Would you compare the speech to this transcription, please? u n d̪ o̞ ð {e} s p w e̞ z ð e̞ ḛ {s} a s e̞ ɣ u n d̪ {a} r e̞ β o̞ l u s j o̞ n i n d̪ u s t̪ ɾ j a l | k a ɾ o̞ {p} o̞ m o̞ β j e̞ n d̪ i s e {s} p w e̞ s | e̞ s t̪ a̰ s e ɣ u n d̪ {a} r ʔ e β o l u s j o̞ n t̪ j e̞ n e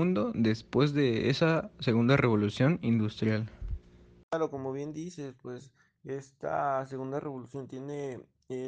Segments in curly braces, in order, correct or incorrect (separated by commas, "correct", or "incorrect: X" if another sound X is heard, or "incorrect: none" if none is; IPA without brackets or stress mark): correct, correct, correct, incorrect: k, correct, correct